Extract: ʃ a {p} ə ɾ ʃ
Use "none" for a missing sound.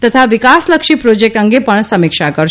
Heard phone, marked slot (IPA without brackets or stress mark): k